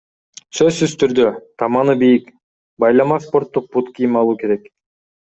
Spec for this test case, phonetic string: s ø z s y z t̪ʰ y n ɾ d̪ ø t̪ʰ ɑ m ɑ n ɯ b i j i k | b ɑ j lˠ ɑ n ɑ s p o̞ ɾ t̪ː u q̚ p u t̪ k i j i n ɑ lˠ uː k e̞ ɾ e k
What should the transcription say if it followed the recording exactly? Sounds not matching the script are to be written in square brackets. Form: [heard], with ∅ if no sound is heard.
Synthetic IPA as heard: s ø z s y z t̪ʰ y [∅] ɾ d̪ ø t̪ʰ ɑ m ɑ n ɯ b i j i k | b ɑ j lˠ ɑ [m] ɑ s p o̞ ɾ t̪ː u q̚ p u t̪ k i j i [m] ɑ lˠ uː k e̞ ɾ e k